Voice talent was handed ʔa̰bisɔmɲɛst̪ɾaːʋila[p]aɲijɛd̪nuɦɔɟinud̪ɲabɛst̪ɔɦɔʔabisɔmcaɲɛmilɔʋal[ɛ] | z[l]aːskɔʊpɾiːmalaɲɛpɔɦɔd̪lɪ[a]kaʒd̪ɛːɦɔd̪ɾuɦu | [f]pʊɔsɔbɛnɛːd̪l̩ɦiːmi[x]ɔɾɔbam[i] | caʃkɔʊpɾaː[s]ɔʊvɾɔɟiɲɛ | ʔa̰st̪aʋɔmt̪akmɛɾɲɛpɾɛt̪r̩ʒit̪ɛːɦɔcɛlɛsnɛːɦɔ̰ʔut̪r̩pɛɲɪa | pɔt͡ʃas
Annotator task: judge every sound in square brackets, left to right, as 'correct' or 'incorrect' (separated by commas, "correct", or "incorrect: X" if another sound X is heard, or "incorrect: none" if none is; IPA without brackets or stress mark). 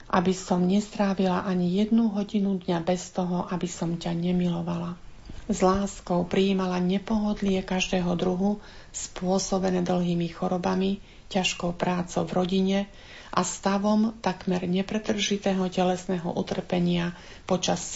incorrect: ʔ, incorrect: a, correct, incorrect: ɛ, incorrect: s, correct, correct, incorrect: t͡s